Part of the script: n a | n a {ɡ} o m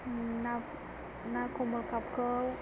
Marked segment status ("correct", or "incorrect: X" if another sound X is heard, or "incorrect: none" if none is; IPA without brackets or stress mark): incorrect: k